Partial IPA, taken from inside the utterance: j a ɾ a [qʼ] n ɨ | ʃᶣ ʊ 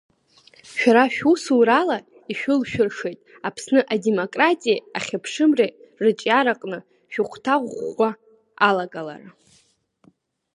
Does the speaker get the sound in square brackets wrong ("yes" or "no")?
no